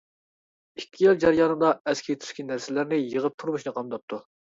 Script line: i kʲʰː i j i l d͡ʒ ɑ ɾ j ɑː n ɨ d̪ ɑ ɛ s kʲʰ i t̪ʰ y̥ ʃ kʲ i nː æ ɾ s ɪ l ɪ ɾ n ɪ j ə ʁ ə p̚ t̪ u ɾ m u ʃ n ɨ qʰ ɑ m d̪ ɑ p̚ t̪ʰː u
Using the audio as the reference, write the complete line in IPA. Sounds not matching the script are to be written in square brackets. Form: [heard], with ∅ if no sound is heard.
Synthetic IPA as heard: i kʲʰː i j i l d͡ʒ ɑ ɾ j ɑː n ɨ d̪ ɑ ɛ s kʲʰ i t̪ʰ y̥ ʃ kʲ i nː æ ɾ s ɪ l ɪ ɾ n ɪ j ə ʁ ə p̚ [t̪ʰ] u ɾ m u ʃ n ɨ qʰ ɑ m d̪ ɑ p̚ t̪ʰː u